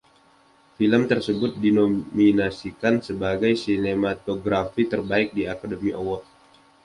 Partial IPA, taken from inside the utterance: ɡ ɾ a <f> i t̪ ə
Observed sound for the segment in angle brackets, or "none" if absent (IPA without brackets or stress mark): f